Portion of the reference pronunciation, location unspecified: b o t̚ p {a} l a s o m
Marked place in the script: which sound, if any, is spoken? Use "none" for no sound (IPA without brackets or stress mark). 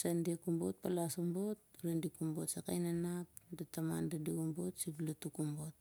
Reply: a